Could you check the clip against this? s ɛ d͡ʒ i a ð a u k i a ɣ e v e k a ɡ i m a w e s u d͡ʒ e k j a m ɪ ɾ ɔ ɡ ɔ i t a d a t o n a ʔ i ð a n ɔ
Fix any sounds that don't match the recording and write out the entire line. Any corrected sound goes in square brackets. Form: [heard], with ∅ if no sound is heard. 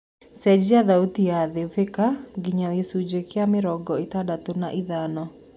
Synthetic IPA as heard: s ɛ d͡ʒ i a ð a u [t] i a [ð] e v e k a ɡ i [ɲ] a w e s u d͡ʒ e k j a m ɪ ɾ ɔ ɡ ɔ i t a d a t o n a ʔ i ð a n ɔ

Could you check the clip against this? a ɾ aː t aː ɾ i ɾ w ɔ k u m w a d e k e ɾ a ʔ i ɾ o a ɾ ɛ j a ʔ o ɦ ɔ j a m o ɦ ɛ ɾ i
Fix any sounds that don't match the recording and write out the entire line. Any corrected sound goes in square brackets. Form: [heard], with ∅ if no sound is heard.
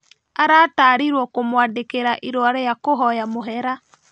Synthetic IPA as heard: a ɾ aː t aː ɾ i ɾ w ɔ k [o] m w a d e k e ɾ a ʔ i ɾ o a ɾ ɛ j a [k] o ɦ ɔ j a m o ɦ ɛ ɾ [a]

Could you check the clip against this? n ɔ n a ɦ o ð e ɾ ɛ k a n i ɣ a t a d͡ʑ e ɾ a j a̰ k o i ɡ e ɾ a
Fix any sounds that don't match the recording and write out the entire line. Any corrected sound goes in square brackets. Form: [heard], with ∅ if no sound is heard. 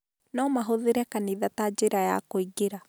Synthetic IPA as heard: n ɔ [m] a ɦ o ð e ɾ ɛ k a n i [ð] a t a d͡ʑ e ɾ a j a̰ k o i ɡ e ɾ a

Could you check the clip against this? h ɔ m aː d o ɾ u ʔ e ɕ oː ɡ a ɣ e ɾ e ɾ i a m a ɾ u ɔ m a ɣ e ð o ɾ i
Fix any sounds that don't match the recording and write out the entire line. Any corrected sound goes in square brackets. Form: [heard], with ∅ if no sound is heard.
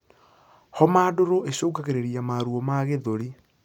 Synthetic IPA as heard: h ɔ m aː d o ɾ [o] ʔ e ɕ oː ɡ a ɣ e ɾ e ɾ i a m a ɾ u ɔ m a ɣ e ð o ɾ i

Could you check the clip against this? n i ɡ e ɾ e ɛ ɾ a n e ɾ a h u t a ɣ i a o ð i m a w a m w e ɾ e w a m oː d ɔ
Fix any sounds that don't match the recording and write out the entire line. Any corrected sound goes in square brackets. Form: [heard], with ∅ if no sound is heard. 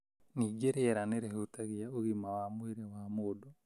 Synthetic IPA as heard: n i ɡ e ɾ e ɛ ɾ a n e ɾ [e] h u t a ɣ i a o [ɣ] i m a w a m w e ɾ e w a m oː d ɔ

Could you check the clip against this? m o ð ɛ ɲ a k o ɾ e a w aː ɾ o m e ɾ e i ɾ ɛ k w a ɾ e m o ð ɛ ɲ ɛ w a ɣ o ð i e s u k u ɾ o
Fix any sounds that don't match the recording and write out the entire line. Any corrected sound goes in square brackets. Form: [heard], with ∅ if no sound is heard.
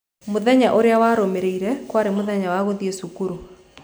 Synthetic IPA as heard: m o ð ɛ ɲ a [ʔ] o ɾ e a w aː ɾ o m e ɾ e i ɾ ɛ k w a ɾ e m o ð ɛ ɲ [a] w a ɣ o ð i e s u k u ɾ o

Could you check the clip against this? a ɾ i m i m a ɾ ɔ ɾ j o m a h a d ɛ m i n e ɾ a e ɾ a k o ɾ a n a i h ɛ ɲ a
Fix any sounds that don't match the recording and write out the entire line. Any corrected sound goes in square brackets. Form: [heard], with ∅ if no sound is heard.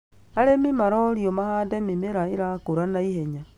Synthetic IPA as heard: a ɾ [e] m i m a ɾ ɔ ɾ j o m a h a d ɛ m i [m] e ɾ a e ɾ a k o ɾ a n a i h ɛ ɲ a

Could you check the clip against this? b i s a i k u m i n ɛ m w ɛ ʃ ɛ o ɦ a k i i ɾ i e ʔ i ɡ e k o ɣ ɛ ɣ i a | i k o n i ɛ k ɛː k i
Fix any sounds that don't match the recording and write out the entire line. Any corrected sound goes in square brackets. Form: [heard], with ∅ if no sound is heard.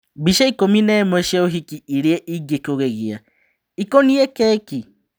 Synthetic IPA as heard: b i [ʃ] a i k [o] m i n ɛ m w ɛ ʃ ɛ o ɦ [i] k i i ɾ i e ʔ i ɡ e k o ɣ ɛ ɣ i a | i k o n i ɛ k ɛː k i

